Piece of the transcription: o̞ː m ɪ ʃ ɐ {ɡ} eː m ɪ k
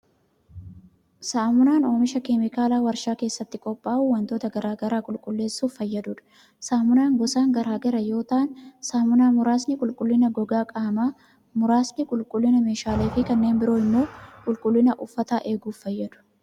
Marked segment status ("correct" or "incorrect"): incorrect